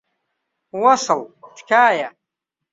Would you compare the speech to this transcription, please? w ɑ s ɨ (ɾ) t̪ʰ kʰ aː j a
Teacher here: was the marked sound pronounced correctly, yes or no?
no